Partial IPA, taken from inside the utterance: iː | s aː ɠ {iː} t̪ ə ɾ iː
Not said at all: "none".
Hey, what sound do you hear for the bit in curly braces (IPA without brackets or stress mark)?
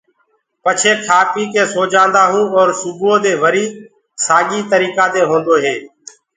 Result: iː